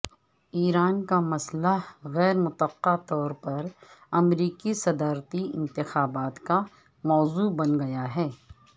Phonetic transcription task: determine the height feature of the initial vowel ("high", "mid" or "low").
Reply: high